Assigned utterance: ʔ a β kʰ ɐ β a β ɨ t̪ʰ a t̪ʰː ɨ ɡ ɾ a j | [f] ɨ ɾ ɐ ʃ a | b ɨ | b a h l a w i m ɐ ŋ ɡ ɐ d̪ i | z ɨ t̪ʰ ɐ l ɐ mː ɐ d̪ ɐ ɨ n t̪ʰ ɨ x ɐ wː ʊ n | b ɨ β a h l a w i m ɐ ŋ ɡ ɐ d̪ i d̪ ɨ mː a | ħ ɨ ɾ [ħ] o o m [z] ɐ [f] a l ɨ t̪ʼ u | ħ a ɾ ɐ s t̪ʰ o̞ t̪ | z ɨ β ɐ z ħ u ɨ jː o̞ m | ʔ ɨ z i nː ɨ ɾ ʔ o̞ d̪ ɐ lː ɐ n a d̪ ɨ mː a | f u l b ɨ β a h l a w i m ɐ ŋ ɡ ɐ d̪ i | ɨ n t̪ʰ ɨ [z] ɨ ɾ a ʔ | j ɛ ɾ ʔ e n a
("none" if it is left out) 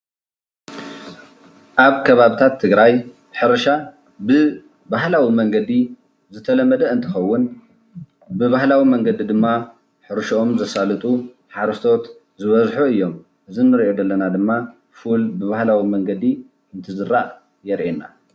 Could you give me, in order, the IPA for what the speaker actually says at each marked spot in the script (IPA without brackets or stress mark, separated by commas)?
ħ, ʃ, z, s, z